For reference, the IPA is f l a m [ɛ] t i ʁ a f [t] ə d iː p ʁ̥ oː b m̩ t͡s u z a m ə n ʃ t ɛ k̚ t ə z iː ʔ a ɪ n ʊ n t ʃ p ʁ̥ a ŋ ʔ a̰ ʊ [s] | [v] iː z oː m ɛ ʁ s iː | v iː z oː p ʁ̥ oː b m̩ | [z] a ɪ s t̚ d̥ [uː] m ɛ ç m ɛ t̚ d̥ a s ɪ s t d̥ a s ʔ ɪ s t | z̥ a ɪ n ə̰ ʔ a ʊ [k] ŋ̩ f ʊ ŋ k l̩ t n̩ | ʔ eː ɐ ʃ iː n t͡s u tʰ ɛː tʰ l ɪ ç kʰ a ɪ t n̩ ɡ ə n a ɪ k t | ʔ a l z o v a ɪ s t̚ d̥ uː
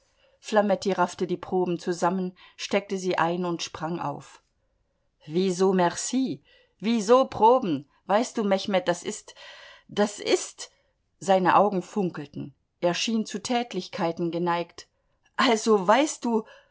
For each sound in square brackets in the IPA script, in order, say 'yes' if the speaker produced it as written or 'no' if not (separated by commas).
yes, yes, no, yes, no, yes, no